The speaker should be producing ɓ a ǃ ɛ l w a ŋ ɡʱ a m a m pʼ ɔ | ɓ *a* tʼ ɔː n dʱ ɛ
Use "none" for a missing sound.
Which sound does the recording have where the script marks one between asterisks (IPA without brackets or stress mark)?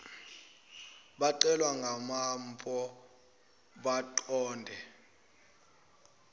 a